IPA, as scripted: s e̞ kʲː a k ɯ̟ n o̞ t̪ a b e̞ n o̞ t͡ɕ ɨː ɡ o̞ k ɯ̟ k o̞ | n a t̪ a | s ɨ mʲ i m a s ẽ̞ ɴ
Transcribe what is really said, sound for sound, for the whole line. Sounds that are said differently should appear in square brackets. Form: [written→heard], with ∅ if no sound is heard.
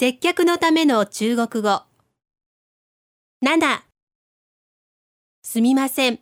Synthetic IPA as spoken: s e̞ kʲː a k ɯ̟ n o̞ t̪ a [b→m] e̞ n o̞ t͡ɕ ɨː ɡ o̞ k ɯ̟ [k→ɡ] o̞ | n a [t̪→d̪] a | s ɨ mʲ i m a s ẽ̞ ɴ